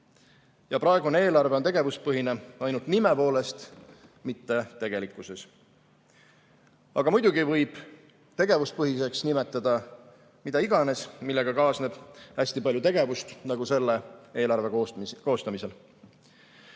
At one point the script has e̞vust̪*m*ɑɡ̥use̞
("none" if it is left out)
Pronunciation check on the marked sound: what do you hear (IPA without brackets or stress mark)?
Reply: n